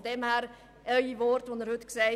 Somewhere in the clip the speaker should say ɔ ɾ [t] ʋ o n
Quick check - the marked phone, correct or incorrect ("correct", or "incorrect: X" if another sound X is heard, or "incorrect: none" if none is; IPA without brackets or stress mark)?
correct